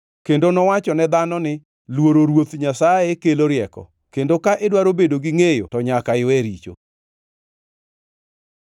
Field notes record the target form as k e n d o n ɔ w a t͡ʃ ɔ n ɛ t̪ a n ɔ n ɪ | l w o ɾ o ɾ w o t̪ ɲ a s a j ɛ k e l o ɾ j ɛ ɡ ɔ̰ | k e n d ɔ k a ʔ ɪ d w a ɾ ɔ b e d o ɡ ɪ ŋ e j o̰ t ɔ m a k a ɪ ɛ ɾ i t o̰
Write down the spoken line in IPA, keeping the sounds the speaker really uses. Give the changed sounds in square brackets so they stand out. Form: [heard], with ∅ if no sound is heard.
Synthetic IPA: k e n d o n ɔ w a t͡ʃ ɔ n ɛ [d̪] a n ɔ n ɪ | l w o ɾ o ɾ w o t̪ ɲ a s a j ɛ k e l o ɾ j ɛ [k] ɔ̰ | k e n d [o] k a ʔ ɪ d w a ɾ [o] b e d o ɡ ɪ ŋ e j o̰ t ɔ [ɲ] a k a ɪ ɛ ɾ i [t͡ʃ] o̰